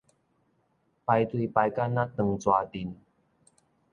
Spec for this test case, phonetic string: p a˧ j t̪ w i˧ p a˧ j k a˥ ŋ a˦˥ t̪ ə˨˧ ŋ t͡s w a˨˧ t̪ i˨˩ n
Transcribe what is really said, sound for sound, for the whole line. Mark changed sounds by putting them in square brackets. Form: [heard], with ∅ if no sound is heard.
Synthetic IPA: p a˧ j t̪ w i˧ p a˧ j k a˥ [n] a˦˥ t̪ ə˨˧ ŋ t͡s w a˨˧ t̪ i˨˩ n

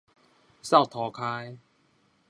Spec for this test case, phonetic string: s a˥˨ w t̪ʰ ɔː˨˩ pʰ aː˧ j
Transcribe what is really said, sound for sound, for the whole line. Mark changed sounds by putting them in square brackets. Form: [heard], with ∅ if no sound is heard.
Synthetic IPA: s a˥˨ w t̪ʰ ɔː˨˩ [kʰ] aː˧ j

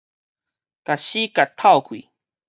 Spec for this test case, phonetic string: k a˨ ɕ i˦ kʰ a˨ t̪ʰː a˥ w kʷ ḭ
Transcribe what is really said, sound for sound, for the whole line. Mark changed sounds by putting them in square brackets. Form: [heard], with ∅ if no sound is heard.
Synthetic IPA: k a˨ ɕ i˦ [k] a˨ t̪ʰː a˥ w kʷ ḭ

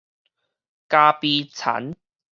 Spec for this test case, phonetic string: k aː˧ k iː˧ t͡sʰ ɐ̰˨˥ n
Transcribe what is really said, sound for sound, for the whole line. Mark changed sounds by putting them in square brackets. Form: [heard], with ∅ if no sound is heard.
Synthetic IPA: k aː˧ [p] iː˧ t͡sʰ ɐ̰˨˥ n

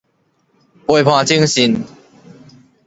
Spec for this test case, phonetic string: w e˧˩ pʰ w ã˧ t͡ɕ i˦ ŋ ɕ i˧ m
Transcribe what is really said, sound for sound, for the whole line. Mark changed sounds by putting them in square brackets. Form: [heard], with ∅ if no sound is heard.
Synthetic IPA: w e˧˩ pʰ w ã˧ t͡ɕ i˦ ŋ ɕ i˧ [n]

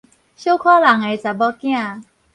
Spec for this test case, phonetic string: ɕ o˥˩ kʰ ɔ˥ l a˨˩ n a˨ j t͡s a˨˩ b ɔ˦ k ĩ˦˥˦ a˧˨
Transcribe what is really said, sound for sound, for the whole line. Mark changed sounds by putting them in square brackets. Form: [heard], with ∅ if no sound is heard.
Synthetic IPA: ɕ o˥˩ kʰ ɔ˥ l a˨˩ [ŋ] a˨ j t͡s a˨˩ b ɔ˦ k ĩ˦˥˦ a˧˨

